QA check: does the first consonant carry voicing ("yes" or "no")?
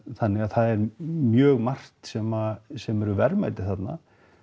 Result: no